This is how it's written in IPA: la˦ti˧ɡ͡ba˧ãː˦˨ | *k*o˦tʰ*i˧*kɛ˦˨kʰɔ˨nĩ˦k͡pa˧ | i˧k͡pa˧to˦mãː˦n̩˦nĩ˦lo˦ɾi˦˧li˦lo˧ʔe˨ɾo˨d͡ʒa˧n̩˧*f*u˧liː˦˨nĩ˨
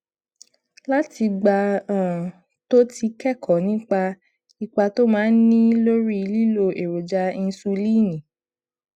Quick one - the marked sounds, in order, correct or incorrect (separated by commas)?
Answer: incorrect, correct, incorrect